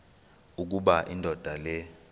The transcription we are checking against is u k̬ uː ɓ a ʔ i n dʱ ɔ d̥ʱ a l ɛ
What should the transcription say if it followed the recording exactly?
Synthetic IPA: u k̬ u ɓ a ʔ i n dʱ ɔ d̥ʱ a l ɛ